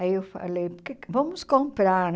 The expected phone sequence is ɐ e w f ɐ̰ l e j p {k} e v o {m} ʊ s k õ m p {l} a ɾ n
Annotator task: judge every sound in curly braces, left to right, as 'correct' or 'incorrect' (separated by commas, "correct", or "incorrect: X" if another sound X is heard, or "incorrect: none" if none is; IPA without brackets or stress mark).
correct, correct, incorrect: ɾ